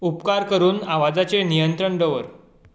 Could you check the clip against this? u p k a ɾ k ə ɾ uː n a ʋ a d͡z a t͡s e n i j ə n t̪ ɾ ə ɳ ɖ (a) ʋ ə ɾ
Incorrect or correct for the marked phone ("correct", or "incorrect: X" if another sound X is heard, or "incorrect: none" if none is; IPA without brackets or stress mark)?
incorrect: ə